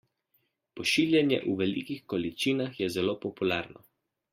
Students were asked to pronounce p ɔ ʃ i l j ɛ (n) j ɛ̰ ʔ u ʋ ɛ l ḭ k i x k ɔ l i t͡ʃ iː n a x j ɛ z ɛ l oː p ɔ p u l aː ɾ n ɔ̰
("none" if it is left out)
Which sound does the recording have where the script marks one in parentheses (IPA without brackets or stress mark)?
n